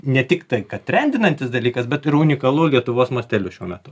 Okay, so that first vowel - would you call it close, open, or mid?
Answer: mid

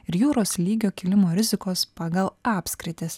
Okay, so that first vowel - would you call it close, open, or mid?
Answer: close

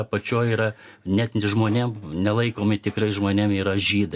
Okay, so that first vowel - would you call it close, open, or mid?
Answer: open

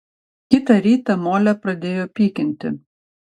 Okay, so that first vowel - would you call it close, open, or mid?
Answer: close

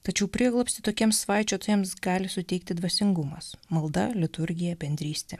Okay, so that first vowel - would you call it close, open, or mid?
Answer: open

